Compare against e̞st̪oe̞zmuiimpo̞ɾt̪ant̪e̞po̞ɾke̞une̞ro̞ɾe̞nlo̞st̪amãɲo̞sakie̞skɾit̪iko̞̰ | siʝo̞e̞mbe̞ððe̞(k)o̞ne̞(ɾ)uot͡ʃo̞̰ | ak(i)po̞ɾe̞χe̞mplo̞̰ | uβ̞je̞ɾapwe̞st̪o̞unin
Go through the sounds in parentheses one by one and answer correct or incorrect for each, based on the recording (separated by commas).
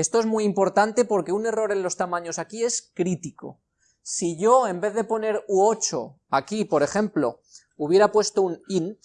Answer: incorrect, correct, correct